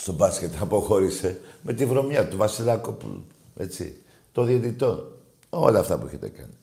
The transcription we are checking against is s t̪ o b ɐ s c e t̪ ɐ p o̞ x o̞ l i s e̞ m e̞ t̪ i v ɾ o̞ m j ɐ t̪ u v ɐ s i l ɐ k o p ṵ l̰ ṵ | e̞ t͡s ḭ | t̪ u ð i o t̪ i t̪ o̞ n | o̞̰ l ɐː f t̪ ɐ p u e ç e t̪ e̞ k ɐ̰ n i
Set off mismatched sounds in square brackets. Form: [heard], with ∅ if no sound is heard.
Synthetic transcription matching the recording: s t̪ o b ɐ s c e t̪ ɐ p o̞ x o̞ [ɾ] i s e̞ m e̞ t̪ i v ɾ o̞ m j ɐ t̪ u v ɐ s i l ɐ k o p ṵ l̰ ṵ | e̞ t͡s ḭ | t̪ [o] ð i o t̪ i t̪ o̞ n | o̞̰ l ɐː f t̪ ɐ p u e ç e t̪ e̞ k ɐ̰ n i